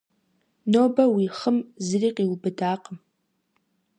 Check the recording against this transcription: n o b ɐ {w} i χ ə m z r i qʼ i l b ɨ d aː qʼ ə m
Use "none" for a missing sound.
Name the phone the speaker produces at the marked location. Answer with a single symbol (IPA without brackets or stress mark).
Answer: w